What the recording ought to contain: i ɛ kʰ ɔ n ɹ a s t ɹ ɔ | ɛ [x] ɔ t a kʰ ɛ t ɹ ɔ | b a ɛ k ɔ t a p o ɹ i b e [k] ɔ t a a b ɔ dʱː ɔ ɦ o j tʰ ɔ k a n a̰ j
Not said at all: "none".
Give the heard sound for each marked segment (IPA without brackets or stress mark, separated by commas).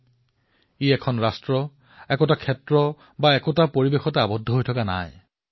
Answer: k, x